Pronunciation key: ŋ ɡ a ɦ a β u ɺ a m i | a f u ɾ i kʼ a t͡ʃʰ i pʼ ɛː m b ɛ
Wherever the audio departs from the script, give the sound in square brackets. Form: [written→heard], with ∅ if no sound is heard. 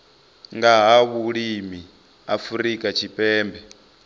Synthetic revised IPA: ŋ ɡ a ɦ a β u ɺ [a→i] m i | a f u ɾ i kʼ a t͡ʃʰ i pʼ ɛː m b ɛ